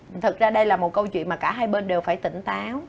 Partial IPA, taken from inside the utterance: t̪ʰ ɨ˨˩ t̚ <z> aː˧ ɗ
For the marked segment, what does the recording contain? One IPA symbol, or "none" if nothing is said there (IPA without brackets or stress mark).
z